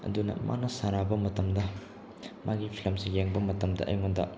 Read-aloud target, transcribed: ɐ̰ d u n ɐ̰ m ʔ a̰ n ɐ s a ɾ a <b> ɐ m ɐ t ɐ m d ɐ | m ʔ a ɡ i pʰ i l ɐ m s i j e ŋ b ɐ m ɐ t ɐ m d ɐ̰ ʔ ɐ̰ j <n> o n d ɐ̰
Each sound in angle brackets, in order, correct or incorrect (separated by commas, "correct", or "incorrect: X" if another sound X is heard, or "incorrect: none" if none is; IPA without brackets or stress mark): correct, incorrect: ŋ